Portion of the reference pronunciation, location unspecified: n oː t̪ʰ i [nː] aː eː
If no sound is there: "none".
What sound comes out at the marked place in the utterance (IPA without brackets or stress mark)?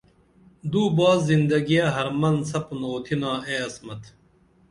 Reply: n